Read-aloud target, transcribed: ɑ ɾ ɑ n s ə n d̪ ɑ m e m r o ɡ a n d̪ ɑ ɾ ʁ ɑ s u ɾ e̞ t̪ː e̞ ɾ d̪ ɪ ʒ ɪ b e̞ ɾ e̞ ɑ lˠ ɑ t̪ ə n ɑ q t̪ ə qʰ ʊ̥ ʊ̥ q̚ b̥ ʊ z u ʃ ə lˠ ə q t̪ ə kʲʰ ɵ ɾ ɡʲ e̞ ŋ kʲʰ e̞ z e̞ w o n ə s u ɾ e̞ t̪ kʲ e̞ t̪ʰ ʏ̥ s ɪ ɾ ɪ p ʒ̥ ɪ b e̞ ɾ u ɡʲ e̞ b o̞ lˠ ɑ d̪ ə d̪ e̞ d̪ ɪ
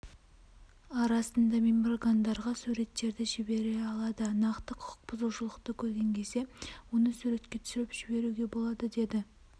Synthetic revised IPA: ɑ ɾ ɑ s ə n d̪ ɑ m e m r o ɡ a n d̪ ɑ ɾ ʁ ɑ s u ɾ e̞ t̪ː e̞ ɾ d̪ ɪ ʒ ɪ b e̞ ɾ e̞ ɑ lˠ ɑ d̪ ə n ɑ q t̪ ə qʰ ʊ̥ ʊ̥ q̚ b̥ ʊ z u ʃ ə lˠ ə q t̪ ə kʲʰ ɵ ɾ ɡʲ e̞ ŋ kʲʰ e̞ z e̞ w o n ə s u ɾ e̞ t̪ kʲ e̞ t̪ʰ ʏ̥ s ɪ ɾ ɪ p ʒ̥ ɪ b e̞ ɾ u ɡʲ e̞ b o̞ lˠ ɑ d̪ ə d̪ e̞ d̪ ɪ